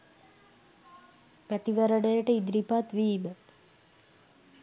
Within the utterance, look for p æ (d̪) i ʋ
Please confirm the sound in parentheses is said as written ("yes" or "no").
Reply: no